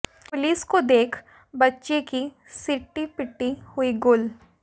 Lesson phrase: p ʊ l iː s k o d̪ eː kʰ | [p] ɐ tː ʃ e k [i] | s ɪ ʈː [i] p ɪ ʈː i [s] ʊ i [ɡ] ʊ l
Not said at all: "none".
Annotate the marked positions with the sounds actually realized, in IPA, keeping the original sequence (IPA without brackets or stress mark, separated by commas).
b, i, i, h, ɡ